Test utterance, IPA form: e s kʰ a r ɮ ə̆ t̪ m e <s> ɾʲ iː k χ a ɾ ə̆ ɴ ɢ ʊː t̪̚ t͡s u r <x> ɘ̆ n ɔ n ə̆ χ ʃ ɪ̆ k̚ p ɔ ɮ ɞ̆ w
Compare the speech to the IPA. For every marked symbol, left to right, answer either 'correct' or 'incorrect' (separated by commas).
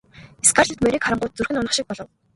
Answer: incorrect, correct